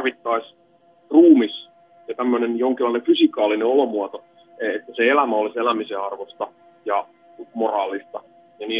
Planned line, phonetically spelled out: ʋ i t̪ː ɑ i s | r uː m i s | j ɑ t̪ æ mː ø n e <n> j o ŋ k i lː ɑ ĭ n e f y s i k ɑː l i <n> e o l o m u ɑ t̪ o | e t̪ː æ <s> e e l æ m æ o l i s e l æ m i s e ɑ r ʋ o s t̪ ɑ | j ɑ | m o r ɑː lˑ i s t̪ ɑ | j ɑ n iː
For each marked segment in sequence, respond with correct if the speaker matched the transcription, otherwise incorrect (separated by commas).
correct, correct, correct